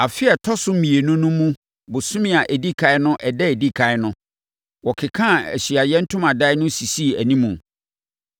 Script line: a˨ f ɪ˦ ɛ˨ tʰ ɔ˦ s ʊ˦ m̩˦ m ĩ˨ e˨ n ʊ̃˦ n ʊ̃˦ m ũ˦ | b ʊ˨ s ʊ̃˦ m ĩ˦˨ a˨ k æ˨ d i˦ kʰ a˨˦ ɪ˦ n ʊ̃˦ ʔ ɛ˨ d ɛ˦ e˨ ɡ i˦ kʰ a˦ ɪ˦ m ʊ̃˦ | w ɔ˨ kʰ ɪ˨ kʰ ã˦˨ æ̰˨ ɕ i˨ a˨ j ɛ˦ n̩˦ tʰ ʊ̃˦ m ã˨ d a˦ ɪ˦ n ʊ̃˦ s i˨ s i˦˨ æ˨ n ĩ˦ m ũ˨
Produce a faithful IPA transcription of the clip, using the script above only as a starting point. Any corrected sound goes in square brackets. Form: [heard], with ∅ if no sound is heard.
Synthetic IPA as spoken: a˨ f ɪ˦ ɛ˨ tʰ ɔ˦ s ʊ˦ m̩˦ m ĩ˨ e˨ n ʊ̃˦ n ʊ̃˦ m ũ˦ | b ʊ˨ s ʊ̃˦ m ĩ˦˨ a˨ [ʔ] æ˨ d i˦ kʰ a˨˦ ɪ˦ n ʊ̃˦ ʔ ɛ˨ d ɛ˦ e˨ [d] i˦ kʰ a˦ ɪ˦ [n] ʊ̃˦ | w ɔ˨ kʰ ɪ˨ kʰ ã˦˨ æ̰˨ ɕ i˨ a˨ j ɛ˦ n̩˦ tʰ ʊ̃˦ m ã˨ d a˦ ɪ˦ n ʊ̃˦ s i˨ s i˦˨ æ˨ n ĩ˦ m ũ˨